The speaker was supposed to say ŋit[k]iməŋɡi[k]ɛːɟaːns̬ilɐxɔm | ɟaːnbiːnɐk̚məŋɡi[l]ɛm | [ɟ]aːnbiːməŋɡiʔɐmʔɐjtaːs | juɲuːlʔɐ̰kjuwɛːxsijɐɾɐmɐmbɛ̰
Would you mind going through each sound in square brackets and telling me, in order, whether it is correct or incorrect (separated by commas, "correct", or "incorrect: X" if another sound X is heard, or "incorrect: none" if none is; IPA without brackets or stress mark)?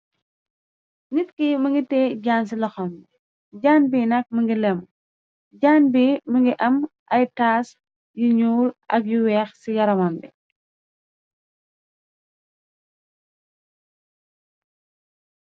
correct, incorrect: t, correct, correct